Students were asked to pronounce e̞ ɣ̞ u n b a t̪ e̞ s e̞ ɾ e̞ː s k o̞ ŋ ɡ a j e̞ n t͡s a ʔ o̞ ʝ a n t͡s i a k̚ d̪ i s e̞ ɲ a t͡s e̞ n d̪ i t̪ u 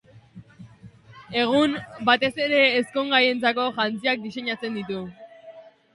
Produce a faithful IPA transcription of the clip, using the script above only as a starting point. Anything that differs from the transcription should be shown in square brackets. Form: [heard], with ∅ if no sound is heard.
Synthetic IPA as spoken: e̞ ɣ̞ u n b a t̪ e̞ s e̞ ɾ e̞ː s k o̞ ŋ ɡ a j e̞ n t͡s a [k] o̞ ʝ a n t͡s i a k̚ d̪ i s e̞ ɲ a t͡s e̞ n d̪ i t̪ u

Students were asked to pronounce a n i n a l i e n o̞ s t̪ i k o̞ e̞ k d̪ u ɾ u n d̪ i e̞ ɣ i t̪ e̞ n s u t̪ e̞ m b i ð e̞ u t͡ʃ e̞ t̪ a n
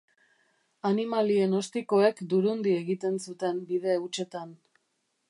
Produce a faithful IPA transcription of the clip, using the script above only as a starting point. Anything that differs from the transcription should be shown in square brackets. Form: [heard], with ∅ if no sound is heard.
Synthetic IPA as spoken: a n i [m] a l i e n o̞ s t̪ i k o̞ e̞ k d̪ u ɾ u n d̪ i e̞ ɣ i t̪ e̞ n s u t̪ e̞ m b i ð e̞ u t͡ʃ e̞ t̪ a n

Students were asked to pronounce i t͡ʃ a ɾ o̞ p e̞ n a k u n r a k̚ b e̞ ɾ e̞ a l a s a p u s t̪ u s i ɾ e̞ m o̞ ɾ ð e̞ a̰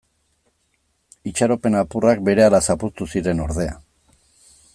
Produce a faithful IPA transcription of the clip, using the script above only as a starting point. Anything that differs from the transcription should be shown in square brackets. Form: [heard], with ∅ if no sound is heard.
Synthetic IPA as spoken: i t͡ʃ a ɾ o̞ p e̞ n a [p] u [∅] r a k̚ b e̞ ɾ e̞ a l a s a p u s t̪ u s i ɾ e̞ [n] o̞ ɾ ð e̞ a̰

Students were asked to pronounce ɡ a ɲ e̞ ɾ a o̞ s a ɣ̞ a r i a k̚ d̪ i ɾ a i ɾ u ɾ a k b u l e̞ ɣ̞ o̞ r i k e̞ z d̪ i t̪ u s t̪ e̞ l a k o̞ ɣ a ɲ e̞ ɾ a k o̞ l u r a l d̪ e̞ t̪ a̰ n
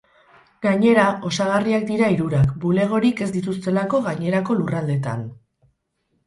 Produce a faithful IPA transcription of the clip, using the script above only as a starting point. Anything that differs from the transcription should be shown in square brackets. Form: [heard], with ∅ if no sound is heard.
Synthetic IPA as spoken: ɡ a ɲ e̞ ɾ a o̞ s a ɣ̞ a r i a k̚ d̪ i ɾ a i ɾ u ɾ a k b u l e̞ ɣ̞ o̞ [ɾ] i k e̞ z d̪ i t̪ u s t̪ e̞ l a k o̞ ɣ a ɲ e̞ ɾ a k o̞ l u r a l d̪ e̞ t̪ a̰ n

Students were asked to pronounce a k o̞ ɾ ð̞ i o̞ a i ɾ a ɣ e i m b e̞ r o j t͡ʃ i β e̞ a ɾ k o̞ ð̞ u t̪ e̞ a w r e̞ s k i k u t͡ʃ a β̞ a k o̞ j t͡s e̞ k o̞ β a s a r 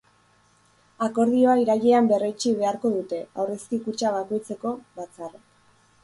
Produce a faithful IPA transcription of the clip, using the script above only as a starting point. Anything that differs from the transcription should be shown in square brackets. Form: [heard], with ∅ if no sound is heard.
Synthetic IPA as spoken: a k o̞ ɾ ð̞ i o̞ a i ɾ a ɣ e [a] m b e̞ r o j t͡ʃ i β e̞ a ɾ k o̞ ð̞ u t̪ e̞ a w r e̞ s k i k u t͡ʃ a β̞ a k o̞ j t͡s e̞ k o̞ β a [t͡s] a r

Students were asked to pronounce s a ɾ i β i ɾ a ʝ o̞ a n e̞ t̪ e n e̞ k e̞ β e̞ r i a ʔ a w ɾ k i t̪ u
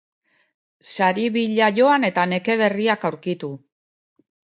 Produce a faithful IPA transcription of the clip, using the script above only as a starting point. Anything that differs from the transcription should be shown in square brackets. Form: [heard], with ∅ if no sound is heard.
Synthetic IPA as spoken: s a ɾ i β i [ʎ] a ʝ o̞ a n e̞ t̪ [a] n e̞ k e̞ β e̞ r i a [k] a w ɾ k i t̪ u

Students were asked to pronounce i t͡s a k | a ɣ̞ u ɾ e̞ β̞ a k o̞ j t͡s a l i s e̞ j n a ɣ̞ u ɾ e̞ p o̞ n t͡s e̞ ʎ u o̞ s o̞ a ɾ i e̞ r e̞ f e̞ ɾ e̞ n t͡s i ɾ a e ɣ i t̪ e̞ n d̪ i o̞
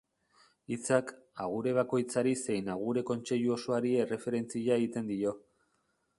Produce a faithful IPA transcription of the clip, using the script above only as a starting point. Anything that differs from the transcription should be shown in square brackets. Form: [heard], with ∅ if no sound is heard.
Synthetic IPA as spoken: i t͡s a k | a ɣ̞ u ɾ e̞ β̞ a k o̞ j t͡s a [ɾ] i s e̞ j n a ɣ̞ u ɾ e̞ [k] o̞ n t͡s e̞ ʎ u o̞ s o̞ a ɾ i e̞ r e̞ f e̞ ɾ e̞ n t͡s i [ʎ] a e ɣ i t̪ e̞ n d̪ i o̞

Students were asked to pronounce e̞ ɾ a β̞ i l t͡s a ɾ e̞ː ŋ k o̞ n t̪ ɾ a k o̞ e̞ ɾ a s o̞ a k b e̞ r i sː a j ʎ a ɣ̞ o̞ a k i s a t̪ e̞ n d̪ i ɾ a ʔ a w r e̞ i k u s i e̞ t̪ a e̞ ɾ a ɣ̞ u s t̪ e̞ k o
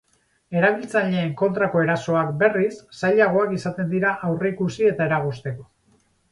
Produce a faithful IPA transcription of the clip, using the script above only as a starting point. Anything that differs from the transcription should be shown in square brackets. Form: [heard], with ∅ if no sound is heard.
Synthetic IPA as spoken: e̞ ɾ a β̞ i l t͡s a [ʎ] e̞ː ŋ k o̞ n t̪ ɾ a k o̞ e̞ ɾ a s o̞ a k b e̞ r i sː a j ʎ a ɣ̞ o̞ a k i s a t̪ e̞ n d̪ i ɾ a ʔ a w r e̞ i k u s i e̞ t̪ a e̞ ɾ a ɣ̞ u s t̪ e̞ k o

